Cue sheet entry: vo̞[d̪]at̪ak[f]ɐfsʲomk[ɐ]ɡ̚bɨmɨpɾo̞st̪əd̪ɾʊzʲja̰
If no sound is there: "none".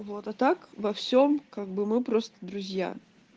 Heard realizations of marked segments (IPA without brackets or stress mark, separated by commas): t̪, v, a